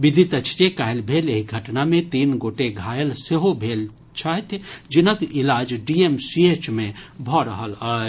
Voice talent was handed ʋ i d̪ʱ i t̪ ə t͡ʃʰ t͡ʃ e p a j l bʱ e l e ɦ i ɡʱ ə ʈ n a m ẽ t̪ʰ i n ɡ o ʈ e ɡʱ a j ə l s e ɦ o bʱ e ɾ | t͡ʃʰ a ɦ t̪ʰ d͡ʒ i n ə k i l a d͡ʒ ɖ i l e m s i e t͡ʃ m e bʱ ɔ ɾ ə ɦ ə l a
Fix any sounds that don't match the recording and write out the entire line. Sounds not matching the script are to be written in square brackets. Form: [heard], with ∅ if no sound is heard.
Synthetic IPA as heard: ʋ i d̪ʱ i t̪ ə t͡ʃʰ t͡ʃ e [k] a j l bʱ e l e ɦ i ɡʱ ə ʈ n a m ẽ [t̪] i n ɡ o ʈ e ɡʱ a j ə l s e ɦ o bʱ e [l] | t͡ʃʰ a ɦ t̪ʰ d͡ʒ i n ə k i l a d͡ʒ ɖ i [∅] e m s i e t͡ʃ m e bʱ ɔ ɾ ə ɦ ə l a